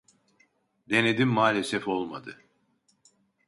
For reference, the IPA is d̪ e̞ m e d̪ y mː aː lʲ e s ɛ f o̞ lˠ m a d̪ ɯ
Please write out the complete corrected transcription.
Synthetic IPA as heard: d̪ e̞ n e d̪ i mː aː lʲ e s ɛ f o̞ lˠ m a d̪ ɯ